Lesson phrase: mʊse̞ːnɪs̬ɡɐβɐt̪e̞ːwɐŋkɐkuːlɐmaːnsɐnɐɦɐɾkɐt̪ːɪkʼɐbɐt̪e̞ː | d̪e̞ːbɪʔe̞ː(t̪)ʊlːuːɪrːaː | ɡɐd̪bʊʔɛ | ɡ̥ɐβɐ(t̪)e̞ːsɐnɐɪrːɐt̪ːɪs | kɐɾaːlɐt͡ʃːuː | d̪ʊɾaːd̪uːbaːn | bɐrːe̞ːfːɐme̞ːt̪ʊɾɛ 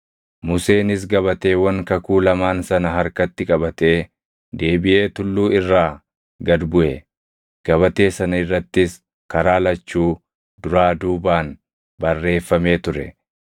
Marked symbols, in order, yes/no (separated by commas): yes, yes